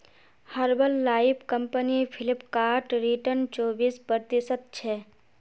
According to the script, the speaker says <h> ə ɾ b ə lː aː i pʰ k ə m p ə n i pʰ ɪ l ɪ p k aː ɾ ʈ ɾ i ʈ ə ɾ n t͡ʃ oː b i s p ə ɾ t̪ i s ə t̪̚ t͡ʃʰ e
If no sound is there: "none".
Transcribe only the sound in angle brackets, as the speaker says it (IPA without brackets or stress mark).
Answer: h